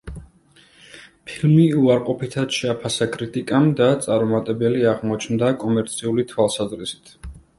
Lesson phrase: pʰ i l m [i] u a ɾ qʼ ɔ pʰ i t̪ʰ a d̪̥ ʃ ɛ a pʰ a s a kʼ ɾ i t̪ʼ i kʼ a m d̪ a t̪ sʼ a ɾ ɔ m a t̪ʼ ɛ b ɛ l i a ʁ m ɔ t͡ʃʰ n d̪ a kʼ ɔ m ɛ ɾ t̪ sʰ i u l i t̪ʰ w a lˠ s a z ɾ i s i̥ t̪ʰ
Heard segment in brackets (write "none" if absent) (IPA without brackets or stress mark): i